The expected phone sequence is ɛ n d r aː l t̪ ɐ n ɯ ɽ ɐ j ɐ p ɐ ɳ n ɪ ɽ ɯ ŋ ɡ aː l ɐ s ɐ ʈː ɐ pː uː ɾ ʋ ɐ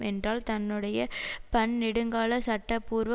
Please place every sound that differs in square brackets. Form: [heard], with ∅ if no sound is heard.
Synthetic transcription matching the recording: ɛ n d r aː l t̪ ɐ [nː] ɯ ɽ ɐ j ɐ p ɐ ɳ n ɪ ɽ ɯ ŋ ɡ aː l ɐ s ɐ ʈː ɐ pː uː ɾ ʋ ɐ